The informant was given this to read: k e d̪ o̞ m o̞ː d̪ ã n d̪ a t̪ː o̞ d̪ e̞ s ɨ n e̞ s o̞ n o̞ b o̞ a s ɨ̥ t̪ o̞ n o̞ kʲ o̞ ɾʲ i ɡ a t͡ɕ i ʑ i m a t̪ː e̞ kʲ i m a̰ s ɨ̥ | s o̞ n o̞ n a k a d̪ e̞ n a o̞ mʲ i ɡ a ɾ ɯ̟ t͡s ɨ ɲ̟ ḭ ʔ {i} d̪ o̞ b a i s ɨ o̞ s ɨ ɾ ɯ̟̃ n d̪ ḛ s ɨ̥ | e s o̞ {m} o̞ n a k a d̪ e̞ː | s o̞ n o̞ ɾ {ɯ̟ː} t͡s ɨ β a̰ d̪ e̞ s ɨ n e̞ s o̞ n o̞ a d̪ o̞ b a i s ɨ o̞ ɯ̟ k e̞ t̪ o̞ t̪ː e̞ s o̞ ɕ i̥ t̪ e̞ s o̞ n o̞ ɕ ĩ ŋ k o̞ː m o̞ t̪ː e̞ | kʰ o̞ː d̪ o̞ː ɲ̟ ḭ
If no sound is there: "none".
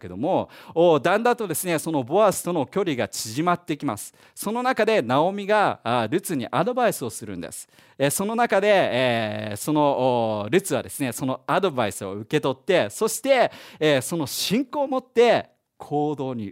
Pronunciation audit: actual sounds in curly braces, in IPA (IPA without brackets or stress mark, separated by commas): a, n, ɯ̟